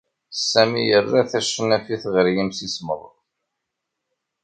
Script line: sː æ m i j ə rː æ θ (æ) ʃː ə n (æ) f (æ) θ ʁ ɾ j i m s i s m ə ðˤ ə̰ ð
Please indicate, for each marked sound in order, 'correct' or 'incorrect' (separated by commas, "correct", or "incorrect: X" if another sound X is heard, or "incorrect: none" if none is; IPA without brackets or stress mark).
correct, correct, incorrect: i